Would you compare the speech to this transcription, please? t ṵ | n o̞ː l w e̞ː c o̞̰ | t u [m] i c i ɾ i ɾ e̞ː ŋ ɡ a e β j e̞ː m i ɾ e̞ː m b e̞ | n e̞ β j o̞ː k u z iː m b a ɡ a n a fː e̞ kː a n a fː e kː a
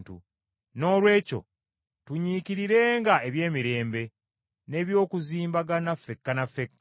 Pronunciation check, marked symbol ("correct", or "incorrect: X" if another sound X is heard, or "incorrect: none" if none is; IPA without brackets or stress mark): incorrect: ɲ